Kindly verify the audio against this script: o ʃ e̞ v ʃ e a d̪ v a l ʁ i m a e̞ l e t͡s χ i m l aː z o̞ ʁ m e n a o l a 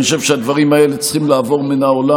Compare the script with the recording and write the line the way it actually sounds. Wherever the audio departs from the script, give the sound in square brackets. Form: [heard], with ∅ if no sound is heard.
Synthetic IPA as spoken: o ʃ e̞ v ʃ e a d̪ v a [∅] ʁ i m a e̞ l e t͡s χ i m l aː [v] o̞ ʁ m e n a o l a